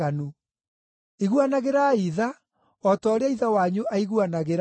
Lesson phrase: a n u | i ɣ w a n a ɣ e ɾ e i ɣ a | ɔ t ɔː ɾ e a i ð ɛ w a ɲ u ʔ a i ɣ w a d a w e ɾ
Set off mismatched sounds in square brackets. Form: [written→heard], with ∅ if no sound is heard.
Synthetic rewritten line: a n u | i ɣ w a n a ɣ e ɾ [e→a] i [ɣ→ð] a | ɔ t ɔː ɾ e a i ð [ɛ→a] w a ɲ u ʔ a i ɣ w a [d→n] a [w→ɣ] e ɾ

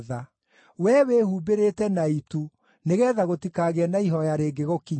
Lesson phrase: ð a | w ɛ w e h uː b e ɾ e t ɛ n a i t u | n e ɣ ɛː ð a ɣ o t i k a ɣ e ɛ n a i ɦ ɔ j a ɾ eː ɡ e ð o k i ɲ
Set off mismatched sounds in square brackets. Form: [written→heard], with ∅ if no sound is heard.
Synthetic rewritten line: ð a | w ɛ w e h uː b e ɾ e t ɛ n a i t u | n e ɣ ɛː ð a ɣ o t i k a ɣ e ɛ n a i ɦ ɔ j a ɾ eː ɡ e [ð→ɣ] o k i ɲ

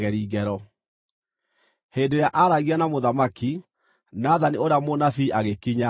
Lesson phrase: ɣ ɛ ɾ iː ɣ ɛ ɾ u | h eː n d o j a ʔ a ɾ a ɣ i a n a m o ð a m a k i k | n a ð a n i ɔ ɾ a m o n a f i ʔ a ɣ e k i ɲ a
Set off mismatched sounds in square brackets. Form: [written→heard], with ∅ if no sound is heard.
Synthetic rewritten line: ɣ ɛ ɾ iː ɣ ɛ ɾ [u→ɔ] | h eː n d o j a ʔ a ɾ a ɣ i a n a m o ð a m a k i [k→∅] | n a ð a n i [ɔ→o] ɾ a m o n a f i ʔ a ɣ e k i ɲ a

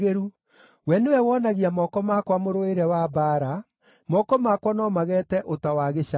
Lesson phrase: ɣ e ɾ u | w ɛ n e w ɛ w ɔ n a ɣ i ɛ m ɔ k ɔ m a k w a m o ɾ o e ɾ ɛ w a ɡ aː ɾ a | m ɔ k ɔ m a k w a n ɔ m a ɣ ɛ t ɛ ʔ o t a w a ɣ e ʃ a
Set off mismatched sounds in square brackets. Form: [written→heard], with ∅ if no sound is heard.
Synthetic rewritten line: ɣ e ɾ u | w ɛ n e w ɛ w ɔ n a ɣ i [ɛ→a] m ɔ k ɔ m a k w a m o ɾ o e ɾ ɛ w a [ɡ→b] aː ɾ a | m ɔ k ɔ m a k w a n ɔ m a ɣ ɛ t ɛ ʔ o t a w a ɣ e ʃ a

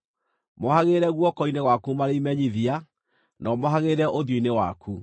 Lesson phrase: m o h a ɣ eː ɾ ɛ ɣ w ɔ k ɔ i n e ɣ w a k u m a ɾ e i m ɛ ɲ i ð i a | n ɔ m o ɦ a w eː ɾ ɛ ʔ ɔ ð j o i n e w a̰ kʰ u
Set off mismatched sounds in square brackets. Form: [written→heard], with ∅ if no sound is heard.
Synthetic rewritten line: m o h a ɣ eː ɾ ɛ ɣ w ɔ k ɔ i n e ɣ w a k u m a ɾ e i m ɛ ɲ i ð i a | n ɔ m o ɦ a [w→ɣ] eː ɾ ɛ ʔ [ɔ→o] ð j o i n e w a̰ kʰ u

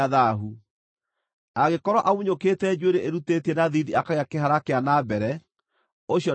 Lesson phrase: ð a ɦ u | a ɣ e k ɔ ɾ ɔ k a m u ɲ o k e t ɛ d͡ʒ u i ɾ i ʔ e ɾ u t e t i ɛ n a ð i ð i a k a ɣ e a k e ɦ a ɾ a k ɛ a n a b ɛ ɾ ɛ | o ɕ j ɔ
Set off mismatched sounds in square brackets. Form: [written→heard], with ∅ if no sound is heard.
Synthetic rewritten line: ð a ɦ u | a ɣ e k ɔ ɾ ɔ [k→ʔ] a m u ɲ o k e t ɛ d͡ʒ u [i→e] ɾ [i→e] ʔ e ɾ u t e t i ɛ n a ð i ð i a k a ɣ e a k e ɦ a ɾ a k [ɛ→e] a n a b ɛ ɾ ɛ | o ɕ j ɔ

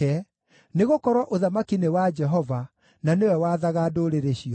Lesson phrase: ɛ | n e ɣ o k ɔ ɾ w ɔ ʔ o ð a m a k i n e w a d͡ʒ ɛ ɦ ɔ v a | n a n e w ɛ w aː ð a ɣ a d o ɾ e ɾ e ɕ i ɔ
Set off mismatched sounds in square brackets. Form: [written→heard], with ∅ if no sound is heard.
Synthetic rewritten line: ɛ | n e ɣ o k ɔ ɾ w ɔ ʔ o ð a m a k i n e w a d͡ʒ ɛ ɦ ɔ v a | n a n e w ɛ w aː ð a ɣ a d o ɾ e ɾ e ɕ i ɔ

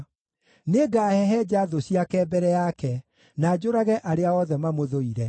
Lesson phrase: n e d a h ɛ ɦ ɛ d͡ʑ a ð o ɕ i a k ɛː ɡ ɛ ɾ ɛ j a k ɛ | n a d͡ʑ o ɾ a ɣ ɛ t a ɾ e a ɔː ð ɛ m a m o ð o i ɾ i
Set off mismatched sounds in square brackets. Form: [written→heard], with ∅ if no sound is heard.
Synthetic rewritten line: n e [d→ɡ] a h ɛ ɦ ɛ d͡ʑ a ð o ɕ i a k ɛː [ɡ→b] ɛ ɾ ɛ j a k ɛ | n a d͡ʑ o ɾ a ɣ ɛ [t→ʔ] a ɾ e a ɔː ð ɛ m a m o ð o i ɾ [i→ɛ]

